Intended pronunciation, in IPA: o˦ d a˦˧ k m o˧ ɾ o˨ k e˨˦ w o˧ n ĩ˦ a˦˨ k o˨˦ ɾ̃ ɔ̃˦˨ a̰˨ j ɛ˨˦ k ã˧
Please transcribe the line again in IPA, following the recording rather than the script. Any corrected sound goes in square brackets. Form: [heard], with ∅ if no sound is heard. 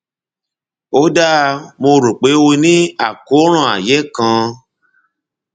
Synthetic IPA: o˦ d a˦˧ [∅] m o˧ ɾ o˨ [k͡p] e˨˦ w o˧ n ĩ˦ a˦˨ k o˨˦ ɾ̃ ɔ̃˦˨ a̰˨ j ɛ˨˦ k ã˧